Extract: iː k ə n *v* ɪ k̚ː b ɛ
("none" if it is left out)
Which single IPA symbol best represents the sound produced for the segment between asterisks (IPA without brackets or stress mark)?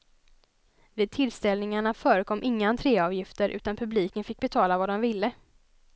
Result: f